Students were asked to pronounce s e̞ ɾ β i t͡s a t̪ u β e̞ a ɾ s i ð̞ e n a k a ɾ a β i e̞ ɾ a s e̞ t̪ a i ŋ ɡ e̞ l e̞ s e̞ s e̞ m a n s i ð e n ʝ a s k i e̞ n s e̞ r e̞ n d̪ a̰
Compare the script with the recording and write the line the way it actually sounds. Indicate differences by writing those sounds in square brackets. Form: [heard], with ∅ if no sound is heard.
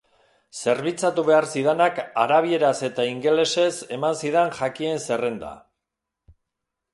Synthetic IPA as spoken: s e̞ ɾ β i t͡s a t̪ u β e̞ a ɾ s i ð̞ e n a k a ɾ a β i e̞ ɾ a s e̞ t̪ a i ŋ ɡ e̞ l e̞ s e̞ s e̞ m a n s i ð e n ʝ a [∅] k i e̞ n s e̞ r e̞ n d̪ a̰